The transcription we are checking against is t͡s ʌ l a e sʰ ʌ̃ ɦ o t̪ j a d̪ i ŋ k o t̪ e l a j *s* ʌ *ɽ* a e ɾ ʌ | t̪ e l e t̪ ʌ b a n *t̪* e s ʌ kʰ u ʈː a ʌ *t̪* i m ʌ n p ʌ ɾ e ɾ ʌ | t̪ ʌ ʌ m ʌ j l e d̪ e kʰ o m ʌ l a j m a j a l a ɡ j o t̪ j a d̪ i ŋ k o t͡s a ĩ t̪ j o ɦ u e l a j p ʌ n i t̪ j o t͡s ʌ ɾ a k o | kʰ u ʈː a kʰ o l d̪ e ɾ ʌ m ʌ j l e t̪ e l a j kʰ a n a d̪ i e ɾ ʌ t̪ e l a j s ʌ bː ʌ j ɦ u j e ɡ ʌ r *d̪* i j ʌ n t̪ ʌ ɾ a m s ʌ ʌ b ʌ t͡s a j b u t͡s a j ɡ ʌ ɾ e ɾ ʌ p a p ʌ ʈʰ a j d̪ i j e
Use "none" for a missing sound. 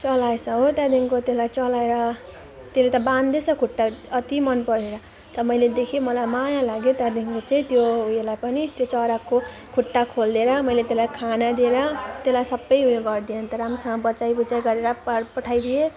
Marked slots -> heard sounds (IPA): t͡s, l, d̪, t̪, d̪

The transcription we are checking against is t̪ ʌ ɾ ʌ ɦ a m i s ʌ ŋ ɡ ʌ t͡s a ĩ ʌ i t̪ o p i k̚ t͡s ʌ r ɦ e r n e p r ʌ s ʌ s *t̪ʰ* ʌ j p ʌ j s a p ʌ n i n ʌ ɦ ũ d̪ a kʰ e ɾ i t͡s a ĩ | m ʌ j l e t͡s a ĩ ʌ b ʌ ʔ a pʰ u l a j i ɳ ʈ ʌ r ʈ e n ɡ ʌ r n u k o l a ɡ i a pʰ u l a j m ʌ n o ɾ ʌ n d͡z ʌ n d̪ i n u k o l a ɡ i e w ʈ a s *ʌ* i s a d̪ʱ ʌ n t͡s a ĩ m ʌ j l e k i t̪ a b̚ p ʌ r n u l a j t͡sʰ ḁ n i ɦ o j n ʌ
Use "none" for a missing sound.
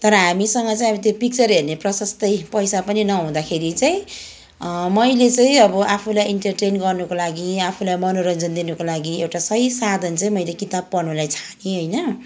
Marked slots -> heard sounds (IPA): t̪, ʌ

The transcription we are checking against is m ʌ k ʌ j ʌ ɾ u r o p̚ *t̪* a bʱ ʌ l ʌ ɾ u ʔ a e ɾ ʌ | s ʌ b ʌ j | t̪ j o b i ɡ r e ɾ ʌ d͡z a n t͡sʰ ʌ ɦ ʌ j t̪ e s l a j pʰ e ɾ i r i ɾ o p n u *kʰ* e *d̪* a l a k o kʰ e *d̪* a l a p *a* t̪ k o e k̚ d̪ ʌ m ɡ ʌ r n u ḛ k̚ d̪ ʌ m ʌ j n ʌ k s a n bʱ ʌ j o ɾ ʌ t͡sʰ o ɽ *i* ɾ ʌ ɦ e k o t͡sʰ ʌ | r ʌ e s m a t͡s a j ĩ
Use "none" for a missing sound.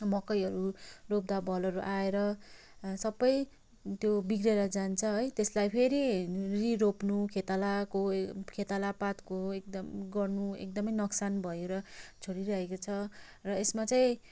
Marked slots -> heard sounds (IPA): d̪, kʰ, t̪, t̪, a, i

